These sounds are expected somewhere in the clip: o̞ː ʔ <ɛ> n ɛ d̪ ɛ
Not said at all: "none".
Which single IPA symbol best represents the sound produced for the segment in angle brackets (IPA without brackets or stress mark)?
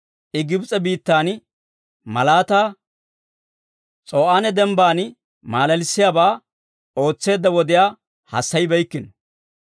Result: a